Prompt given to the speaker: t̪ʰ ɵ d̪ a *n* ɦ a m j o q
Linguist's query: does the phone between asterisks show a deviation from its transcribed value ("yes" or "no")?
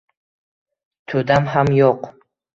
yes